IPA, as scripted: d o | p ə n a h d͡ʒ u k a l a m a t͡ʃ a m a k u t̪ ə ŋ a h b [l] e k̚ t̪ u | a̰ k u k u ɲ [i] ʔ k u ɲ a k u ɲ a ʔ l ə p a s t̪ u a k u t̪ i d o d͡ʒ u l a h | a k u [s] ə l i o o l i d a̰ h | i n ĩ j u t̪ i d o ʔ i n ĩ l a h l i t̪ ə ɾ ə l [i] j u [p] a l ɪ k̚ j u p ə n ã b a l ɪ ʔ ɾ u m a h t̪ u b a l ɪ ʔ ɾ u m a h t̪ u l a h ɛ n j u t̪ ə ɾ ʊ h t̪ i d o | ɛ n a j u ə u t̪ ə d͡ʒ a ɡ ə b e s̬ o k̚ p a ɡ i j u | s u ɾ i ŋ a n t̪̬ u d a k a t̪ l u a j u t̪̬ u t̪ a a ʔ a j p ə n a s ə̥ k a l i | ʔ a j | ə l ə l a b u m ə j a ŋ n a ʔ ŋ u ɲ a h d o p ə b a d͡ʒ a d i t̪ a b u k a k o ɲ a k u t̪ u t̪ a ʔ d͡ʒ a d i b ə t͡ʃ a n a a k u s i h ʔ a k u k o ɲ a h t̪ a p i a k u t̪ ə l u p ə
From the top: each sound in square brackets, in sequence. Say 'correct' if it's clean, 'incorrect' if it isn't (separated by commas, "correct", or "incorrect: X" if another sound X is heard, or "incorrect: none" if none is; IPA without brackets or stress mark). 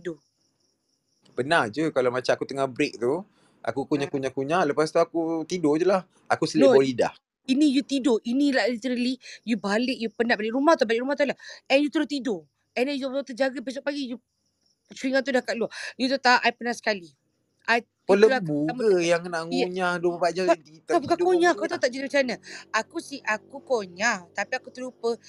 incorrect: ɾ, incorrect: a, correct, correct, incorrect: b